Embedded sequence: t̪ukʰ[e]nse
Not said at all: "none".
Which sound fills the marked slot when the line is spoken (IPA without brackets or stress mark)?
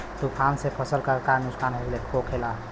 a